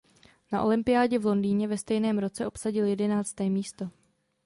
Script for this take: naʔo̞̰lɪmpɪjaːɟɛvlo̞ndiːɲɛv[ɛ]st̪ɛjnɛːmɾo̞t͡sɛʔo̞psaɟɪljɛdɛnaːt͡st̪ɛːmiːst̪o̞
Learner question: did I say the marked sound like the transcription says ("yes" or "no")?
yes